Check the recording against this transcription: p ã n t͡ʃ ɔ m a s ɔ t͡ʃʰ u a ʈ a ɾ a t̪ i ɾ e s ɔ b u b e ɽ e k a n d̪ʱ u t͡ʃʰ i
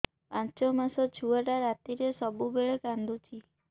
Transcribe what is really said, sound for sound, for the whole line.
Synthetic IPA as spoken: p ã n t͡ʃ ɔ m a s ɔ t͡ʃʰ u a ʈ a ɾ a t̪ i ɾ e s ɔ b u b e ɭ e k a n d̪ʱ u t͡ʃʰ i